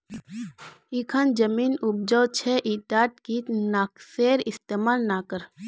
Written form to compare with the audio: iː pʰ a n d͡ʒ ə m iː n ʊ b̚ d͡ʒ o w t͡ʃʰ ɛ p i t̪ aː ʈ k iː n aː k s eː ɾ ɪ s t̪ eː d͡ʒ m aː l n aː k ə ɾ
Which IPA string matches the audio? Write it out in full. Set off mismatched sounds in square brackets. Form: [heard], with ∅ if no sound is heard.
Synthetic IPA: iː [kʰ] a n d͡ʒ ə m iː n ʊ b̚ d͡ʒ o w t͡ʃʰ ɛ [ʔ] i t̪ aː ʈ k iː n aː k s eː ɾ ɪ s t̪ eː [∅] m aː l n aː k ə ɾ

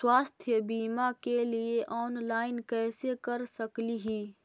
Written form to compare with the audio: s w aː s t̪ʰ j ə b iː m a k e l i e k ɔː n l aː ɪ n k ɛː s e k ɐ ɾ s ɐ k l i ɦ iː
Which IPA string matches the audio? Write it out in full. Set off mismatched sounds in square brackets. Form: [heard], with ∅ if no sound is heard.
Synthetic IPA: s w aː s t̪ʰ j ə b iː m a k e l i e [ʔ] ɔː n l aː ɪ n k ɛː s e k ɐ ɾ s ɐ k l i ɦ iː

